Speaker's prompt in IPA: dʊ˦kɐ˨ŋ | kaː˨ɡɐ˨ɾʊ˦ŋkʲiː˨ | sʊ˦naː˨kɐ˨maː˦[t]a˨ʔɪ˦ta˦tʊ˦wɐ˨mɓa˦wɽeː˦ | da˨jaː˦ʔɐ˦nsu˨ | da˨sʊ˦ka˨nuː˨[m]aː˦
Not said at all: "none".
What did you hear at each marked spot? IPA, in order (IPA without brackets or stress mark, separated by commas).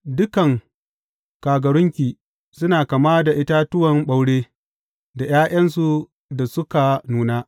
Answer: d, n